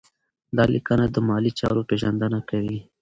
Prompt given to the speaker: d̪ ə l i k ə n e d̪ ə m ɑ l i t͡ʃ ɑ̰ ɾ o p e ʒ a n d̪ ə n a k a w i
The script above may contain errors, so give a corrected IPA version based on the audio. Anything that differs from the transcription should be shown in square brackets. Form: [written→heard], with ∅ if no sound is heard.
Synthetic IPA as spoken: d̪ [ə→ɑ] l i k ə n [e→a] d̪ ə m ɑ l i t͡ʃ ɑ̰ ɾ o p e ʒ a n d̪ ə n a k a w i